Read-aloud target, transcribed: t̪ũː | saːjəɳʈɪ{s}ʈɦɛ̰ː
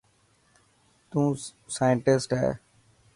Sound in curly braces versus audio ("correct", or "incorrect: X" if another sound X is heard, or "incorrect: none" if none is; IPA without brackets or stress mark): correct